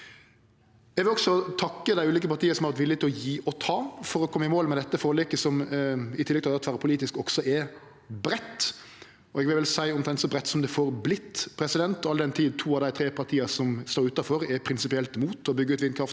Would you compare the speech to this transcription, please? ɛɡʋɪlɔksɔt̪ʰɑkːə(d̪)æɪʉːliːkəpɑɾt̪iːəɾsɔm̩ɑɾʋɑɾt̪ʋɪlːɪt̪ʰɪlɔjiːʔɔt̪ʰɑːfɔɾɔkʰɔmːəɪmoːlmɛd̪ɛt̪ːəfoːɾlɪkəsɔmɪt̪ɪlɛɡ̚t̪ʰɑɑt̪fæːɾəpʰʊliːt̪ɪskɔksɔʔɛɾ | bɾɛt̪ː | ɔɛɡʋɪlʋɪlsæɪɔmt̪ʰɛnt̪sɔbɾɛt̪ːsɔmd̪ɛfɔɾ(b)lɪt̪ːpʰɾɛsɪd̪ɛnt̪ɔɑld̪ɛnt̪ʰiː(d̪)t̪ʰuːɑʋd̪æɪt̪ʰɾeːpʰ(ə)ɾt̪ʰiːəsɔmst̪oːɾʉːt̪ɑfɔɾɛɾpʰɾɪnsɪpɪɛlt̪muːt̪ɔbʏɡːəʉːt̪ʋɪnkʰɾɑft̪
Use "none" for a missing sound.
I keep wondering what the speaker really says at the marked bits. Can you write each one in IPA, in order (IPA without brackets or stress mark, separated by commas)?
d̪, b, d̪, ɑ